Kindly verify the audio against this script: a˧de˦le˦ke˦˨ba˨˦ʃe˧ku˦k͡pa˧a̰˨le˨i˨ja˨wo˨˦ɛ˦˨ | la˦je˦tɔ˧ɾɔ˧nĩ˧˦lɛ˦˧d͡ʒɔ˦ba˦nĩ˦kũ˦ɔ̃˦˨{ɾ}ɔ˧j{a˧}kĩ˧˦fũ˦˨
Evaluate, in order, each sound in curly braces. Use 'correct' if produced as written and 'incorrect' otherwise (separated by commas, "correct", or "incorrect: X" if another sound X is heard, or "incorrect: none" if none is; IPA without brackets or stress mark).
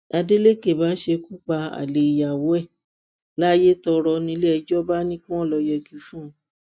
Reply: incorrect: l, incorrect: ɛ˧